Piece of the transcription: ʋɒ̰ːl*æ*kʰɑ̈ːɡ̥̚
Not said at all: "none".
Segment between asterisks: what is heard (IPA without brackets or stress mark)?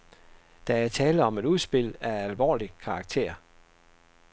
i